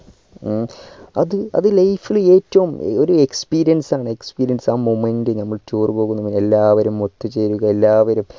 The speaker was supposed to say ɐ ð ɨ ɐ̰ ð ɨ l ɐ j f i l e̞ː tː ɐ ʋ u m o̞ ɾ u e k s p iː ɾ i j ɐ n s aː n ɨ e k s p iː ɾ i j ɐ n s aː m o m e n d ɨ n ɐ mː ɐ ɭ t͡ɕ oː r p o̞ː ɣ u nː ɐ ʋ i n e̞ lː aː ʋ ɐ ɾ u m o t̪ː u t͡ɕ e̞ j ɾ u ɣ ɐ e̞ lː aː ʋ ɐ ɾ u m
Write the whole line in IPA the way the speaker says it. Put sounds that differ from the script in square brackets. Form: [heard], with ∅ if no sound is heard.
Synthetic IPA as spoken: ɐ ð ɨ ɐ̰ ð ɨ l ɐ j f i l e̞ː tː ɐ ʋ u m o̞ ɾ u e k s p iː ɾ i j ɐ n s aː [ɳ] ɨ e k s p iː ɾ i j ɐ n s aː m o m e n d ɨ n ɐ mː ɐ ɭ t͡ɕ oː r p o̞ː ɣ u nː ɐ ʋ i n e̞ lː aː ʋ ɐ ɾ u m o t̪ː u t͡ɕ e̞ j ɾ u ɣ ɐ e̞ lː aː ʋ ɐ ɾ u m